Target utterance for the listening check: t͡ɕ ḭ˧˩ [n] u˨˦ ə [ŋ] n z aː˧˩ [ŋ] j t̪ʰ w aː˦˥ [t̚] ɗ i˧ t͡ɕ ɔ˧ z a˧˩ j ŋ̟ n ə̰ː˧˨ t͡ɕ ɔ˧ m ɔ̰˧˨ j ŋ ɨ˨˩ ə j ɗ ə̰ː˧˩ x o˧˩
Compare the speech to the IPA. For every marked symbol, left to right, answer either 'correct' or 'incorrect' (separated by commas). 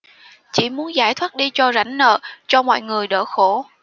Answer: incorrect, incorrect, incorrect, correct